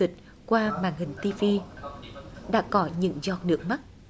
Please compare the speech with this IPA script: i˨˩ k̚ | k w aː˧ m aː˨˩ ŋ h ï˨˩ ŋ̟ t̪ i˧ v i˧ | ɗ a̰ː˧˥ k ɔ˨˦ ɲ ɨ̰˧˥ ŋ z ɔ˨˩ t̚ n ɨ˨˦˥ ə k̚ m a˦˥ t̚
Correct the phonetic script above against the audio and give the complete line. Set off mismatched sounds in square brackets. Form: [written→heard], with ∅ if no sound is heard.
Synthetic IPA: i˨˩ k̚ | k w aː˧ m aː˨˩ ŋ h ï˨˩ ŋ̟ t̪ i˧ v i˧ | ɗ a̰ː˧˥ k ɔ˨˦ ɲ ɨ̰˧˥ ŋ z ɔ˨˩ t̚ n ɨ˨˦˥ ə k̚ m a˦˥ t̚